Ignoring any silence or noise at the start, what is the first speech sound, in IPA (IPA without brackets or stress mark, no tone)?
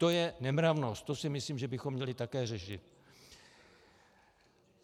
t̪